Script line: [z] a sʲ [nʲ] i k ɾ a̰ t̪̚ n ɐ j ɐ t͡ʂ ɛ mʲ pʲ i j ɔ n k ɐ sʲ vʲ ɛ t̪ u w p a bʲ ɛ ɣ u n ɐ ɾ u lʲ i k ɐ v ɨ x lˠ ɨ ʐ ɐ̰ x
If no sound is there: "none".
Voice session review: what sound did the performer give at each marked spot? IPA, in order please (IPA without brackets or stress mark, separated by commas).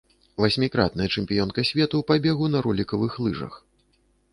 v, mʲ